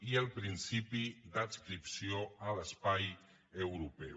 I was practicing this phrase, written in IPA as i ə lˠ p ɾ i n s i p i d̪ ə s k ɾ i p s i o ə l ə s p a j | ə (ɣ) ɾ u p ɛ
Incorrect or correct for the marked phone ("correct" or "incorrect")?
incorrect